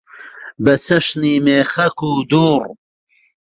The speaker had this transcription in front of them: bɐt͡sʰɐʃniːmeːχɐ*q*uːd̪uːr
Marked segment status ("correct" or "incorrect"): incorrect